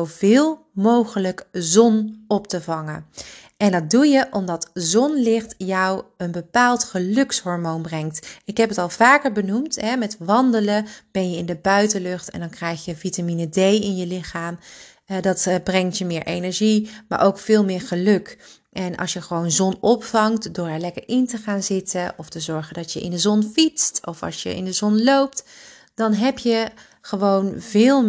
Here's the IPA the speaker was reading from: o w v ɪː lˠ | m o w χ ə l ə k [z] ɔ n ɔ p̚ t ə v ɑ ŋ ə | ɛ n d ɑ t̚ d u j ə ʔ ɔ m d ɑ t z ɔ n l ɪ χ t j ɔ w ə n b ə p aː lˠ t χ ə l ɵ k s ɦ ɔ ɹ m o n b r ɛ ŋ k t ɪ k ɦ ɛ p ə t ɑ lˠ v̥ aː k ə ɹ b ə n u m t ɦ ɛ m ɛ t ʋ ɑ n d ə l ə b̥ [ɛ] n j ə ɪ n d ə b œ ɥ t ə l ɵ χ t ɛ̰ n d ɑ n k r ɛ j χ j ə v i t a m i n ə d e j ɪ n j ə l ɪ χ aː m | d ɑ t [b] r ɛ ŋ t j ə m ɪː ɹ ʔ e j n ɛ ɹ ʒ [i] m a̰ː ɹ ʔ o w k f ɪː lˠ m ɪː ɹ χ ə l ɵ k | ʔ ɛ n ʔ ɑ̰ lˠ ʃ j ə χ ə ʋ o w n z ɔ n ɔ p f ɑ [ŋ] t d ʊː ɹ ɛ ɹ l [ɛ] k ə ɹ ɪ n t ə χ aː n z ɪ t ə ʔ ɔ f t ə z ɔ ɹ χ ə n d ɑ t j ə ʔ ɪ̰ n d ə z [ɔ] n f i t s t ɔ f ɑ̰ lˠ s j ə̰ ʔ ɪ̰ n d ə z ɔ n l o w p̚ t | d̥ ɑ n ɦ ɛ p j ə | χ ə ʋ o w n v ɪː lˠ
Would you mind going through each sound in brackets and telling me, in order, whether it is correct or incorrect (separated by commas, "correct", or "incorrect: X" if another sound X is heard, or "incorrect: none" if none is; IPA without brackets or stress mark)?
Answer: correct, correct, correct, correct, correct, correct, correct